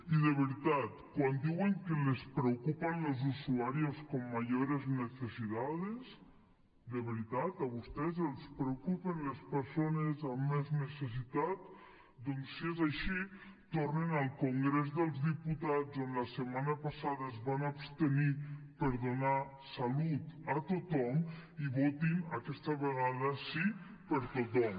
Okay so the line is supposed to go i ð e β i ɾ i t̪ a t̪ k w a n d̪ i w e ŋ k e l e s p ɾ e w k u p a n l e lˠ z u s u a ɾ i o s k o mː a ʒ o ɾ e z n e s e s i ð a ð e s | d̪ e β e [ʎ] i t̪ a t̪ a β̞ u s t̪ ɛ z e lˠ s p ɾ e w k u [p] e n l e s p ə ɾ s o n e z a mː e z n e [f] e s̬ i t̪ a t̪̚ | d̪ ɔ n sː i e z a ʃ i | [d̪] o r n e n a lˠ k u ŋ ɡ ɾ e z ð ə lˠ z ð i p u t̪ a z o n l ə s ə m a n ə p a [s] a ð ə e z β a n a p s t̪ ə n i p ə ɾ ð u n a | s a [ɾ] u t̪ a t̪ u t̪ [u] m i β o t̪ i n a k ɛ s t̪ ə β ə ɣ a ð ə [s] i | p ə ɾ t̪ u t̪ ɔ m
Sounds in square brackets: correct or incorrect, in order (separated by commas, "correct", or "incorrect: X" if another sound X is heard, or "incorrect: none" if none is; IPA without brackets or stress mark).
incorrect: ɾ, correct, incorrect: s, incorrect: t̪, correct, incorrect: l, incorrect: ɔ, correct